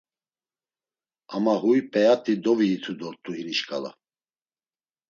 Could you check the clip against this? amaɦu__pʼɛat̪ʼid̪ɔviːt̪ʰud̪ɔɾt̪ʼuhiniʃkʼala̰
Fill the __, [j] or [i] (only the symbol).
j